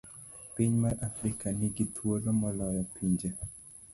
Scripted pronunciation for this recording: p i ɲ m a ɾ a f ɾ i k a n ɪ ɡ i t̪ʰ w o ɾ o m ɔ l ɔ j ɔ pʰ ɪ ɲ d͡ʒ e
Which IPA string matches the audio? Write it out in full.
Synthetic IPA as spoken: p i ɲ m a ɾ a f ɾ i k a n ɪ ɡ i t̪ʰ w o l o m ɔ l ɔ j ɔ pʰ i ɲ d͡ʒ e